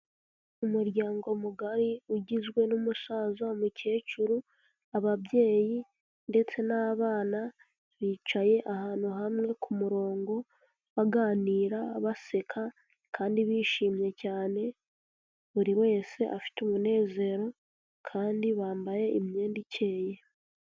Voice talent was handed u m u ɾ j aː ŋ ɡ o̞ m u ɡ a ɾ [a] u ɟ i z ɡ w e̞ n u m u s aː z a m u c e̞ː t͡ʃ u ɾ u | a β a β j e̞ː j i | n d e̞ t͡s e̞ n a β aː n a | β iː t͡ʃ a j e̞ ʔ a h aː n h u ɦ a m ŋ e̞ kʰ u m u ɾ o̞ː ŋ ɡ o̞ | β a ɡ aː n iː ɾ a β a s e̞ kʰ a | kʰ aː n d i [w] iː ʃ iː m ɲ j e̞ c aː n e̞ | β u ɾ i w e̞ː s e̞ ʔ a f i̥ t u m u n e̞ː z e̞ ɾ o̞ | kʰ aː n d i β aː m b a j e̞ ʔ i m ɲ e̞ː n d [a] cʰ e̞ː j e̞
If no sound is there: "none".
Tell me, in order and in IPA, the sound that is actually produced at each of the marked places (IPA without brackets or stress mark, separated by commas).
i, β, i